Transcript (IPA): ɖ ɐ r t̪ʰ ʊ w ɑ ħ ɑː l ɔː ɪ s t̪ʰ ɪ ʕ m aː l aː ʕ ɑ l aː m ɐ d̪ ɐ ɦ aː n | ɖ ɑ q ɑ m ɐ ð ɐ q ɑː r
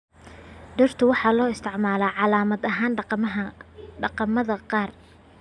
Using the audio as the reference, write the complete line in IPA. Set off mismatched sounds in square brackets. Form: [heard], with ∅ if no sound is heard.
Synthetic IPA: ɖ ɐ r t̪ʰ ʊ w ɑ ħ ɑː l ɔː ɪ s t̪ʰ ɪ ʕ m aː l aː ʕ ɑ l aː m ɐ d̪ ɐ ɦ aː n | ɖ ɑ q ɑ m ɐ ð ɐ q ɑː r